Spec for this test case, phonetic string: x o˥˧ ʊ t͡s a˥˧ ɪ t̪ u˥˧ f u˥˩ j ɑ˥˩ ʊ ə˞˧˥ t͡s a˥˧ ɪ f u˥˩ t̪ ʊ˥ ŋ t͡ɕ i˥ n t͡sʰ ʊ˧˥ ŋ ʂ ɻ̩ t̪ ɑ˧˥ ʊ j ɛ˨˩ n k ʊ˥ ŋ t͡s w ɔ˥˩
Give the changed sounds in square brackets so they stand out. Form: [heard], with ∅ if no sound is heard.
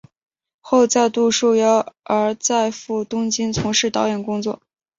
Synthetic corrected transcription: x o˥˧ ʊ t͡s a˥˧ ɪ t̪ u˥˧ [ʂ] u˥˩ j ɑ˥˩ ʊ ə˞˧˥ t͡s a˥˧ ɪ f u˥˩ t̪ ʊ˥ ŋ t͡ɕ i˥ n t͡sʰ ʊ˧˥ ŋ ʂ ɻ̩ t̪ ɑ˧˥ ʊ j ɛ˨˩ n k ʊ˥ ŋ t͡s w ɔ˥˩